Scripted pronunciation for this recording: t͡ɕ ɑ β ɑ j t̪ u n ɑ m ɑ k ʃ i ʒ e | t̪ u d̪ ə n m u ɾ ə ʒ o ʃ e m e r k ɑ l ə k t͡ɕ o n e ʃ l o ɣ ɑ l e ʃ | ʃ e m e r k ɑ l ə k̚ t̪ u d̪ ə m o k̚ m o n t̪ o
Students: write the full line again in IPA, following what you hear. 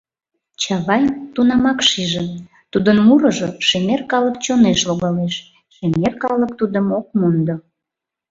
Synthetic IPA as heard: t͡ɕ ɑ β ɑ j t̪ u n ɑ m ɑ k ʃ i ʒ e | t̪ u d̪ ə n m u ɾ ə ʒ o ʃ e m e r k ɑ l ə k t͡ɕ o n e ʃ l o ɣ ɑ l e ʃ | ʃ e m e r k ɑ l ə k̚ t̪ u d̪ ə m o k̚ m o n d̪ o